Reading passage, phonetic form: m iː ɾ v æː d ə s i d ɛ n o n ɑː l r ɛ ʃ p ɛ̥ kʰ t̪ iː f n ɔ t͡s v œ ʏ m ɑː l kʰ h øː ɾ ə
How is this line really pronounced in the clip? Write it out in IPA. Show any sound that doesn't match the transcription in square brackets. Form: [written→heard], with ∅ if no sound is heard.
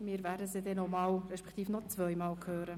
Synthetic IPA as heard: m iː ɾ v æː d ə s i d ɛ n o [n→m] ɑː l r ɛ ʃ p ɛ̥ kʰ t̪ iː f n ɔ t͡s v œ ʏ m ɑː l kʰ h øː ɾ ə

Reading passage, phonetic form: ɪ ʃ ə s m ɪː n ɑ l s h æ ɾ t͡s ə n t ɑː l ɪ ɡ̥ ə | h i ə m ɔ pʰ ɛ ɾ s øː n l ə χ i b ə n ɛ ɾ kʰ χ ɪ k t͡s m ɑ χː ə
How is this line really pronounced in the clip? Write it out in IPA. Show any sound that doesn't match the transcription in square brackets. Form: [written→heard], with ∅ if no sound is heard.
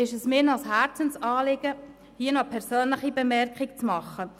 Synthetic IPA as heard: ɪ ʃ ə s m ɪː n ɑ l s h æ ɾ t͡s ə n [t→s] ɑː l ɪ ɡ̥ ə | h i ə [m→n] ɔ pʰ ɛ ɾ s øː n l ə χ i b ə [n→m] ɛ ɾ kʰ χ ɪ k t͡s m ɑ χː ə

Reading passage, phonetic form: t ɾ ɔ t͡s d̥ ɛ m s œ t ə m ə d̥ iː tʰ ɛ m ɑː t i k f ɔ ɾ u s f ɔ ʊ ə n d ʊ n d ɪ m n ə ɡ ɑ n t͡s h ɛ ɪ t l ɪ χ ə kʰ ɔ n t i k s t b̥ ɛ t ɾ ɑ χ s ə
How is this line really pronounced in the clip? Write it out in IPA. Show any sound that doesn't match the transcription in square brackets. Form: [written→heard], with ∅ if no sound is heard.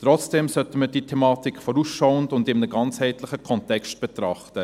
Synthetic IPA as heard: t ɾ ɔ t͡s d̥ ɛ m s œ t ə m ə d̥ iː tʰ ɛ m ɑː t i k f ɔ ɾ u s [f→ʃ] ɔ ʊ ə n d ʊ n d ɪ m n ə ɡ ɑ n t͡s h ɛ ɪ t l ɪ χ ə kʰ ɔ n t [i→ɛ] k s t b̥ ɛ t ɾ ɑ χ [s→t] ə

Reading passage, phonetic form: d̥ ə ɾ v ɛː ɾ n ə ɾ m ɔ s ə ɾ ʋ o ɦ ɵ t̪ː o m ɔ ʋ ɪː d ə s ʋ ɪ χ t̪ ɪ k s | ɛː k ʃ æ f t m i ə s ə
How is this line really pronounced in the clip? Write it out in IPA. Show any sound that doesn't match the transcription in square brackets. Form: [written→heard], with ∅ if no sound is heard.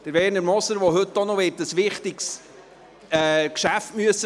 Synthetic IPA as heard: d̥ ə ɾ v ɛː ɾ n ə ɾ m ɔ s ə ɾ ʋ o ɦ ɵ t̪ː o [m→n] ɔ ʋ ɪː [d→t] ə s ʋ ɪ χ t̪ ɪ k s | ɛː k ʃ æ f t m [i→y] ə s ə

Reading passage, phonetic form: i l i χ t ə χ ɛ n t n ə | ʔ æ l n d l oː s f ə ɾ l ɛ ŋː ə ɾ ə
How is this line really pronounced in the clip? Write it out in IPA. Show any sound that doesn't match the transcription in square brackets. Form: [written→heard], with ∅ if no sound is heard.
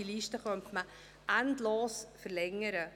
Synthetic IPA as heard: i l i [χ→ʃ] t ə χ [ɛ→œ] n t [n→m] ə | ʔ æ [l→∅] n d l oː s f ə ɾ l ɛ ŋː ə ɾ ə

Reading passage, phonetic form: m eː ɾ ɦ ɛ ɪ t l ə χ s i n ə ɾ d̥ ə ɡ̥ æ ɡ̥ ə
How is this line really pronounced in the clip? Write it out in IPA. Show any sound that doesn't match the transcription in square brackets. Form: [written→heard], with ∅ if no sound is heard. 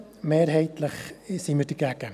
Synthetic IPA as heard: m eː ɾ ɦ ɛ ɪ t l ə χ s i [n→m] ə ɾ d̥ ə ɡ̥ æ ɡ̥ ə

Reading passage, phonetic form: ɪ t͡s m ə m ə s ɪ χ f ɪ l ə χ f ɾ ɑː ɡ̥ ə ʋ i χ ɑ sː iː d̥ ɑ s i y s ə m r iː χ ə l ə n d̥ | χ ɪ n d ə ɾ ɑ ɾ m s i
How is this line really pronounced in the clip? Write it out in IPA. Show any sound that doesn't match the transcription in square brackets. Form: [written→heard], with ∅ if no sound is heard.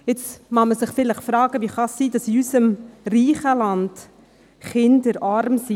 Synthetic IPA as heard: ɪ t͡s m [ə→ɑ] m ə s ɪ χ f ɪ l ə χ f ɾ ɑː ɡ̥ ə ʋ i χ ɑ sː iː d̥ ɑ s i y s ə m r iː χ ə l [ə→ɑ] n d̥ | χ ɪ n d ə ɾ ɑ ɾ m s i

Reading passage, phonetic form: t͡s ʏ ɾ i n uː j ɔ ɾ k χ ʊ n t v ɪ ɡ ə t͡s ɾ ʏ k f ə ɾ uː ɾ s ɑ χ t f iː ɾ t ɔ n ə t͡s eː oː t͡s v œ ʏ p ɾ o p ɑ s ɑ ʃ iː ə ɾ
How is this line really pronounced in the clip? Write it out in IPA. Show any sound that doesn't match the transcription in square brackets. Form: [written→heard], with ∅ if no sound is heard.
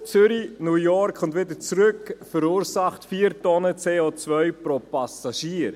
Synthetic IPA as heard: t͡s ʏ ɾ i n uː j ɔ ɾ k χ ʊ n t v ɪ [ɡ→d] ə t͡s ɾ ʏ k f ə ɾ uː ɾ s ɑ χ t f iː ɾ t ɔ n ə t͡s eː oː t͡s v œ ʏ p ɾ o p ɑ s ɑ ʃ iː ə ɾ

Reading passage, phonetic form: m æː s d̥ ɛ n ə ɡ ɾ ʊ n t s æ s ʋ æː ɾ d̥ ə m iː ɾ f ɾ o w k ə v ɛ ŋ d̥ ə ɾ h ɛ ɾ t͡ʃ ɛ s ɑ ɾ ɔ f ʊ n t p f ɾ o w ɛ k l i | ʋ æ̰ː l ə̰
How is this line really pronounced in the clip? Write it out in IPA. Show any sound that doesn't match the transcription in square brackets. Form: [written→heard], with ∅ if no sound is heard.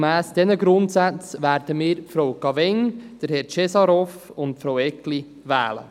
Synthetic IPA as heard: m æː s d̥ ɛ n ə ɡ ɾ ʊ n t s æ [s→t͡s] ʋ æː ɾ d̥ ə m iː ɾ f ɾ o w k [ə→ɑ] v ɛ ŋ d̥ ə ɾ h ɛ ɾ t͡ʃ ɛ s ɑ ɾ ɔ f ʊ n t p f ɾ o w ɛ k l i | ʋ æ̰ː l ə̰

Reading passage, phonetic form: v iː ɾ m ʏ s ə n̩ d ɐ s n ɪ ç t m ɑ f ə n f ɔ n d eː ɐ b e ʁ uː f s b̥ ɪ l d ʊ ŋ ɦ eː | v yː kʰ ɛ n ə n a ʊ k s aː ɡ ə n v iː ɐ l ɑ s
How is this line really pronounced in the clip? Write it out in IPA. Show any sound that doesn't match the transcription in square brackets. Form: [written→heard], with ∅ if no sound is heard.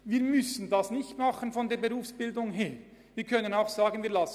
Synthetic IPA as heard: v iː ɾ m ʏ s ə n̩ d [ɐ→ɑ] s n ɪ ç t m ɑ [f→χ] ə n f ɔ n d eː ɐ b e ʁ uː f s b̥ ɪ l d ʊ ŋ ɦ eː | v [yː→iː] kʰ [ɛ→œ] n ə n a ʊ [k→x] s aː ɡ ə n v iː ɐ l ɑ s

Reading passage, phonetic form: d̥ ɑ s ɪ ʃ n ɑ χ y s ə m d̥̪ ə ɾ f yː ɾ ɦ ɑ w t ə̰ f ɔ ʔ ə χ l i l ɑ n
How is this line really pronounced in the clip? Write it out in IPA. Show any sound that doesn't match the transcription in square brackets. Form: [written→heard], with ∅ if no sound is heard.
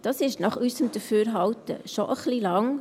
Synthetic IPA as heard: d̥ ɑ s ɪ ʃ n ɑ χ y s ə m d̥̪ ə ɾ f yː ɾ ɦ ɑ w t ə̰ [f→ʃ] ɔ ʔ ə χ l i l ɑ [n→ŋ]

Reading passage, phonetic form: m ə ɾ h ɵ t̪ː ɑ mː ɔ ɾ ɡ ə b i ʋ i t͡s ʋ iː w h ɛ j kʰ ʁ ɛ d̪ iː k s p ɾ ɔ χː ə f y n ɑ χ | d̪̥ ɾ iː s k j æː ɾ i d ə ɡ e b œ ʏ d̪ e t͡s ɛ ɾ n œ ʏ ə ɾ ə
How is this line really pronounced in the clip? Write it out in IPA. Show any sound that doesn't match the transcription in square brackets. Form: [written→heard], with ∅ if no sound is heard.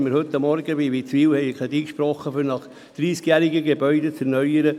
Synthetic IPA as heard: m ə ɾ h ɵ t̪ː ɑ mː ɔ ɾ ɡ ə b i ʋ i t͡s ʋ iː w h ɛ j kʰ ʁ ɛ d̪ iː k [s→ʃ] p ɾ ɔ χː ə f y n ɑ χ | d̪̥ ɾ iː s k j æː ɾ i [d→ɡ] ə ɡ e b œ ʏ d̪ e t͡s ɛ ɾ n œ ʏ ə ɾ ə

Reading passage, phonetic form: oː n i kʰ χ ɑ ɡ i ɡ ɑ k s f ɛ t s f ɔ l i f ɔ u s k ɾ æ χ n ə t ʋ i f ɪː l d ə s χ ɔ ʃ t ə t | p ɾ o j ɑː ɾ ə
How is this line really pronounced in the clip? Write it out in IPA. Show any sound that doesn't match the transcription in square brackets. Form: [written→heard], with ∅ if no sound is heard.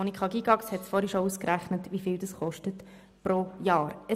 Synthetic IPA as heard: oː n i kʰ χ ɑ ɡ i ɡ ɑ k s [f→h] ɛ t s f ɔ [l→ɾ] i [f→ʃ] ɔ u s k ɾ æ χ n ə t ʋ i f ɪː l d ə s χ ɔ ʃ t ə t | p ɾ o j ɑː ɾ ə

